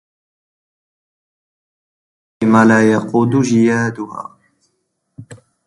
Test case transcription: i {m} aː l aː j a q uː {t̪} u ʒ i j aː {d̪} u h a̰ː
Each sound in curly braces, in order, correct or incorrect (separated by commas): correct, incorrect, correct